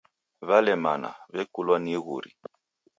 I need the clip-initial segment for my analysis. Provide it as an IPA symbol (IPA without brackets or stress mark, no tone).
β